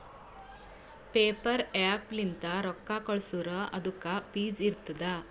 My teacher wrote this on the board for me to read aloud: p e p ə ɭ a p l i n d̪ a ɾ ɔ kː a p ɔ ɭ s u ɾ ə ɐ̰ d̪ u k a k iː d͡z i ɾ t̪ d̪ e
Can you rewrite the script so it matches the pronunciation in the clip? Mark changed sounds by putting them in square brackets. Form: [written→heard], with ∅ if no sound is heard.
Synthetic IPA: p e p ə [ɭ→ɾ] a p l i n [d̪→t̪] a ɾ ɔ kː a [p→k] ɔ ɭ s u ɾ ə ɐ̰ d̪ u k a [k→p] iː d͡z i ɾ t̪ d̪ [e→a]

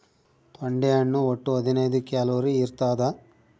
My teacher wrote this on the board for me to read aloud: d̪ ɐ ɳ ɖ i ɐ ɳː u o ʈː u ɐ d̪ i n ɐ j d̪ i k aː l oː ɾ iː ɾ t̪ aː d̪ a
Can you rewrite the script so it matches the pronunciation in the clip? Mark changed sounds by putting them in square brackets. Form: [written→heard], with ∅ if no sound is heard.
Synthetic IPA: [d̪→t̪] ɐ ɳ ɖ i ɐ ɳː u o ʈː u ɐ d̪ i n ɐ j d̪ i k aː l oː ɾ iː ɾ t̪ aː d̪ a

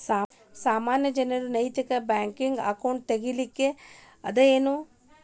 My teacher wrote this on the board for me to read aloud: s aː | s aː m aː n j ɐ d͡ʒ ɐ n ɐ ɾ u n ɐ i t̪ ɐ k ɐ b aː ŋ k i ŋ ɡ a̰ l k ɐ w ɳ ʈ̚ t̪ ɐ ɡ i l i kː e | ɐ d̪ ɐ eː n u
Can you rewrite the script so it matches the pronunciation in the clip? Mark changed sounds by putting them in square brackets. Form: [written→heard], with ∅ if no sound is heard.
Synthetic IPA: s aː | s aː m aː n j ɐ d͡ʒ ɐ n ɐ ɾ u n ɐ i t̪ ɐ k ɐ b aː ŋ k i ŋ ɡ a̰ [l→∅] k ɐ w ɳ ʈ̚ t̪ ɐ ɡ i l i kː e | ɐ d̪ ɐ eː n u

